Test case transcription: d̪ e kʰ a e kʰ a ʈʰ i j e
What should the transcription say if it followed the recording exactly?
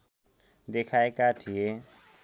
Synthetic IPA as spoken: d̪ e kʰ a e k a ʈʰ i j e